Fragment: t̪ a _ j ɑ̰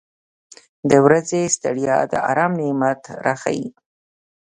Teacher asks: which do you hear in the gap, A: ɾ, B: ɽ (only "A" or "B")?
B